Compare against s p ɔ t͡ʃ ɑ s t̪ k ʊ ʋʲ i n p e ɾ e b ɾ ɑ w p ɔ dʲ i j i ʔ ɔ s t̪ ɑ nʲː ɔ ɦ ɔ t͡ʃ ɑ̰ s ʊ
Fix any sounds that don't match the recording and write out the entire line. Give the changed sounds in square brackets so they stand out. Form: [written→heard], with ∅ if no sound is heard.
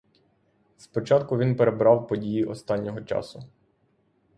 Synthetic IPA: s p ɔ t͡ʃ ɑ [s→∅] t̪ k ʊ ʋʲ i n p e ɾ e b ɾ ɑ w p ɔ dʲ i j i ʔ ɔ s t̪ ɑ nʲː ɔ ɦ ɔ t͡ʃ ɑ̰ s ʊ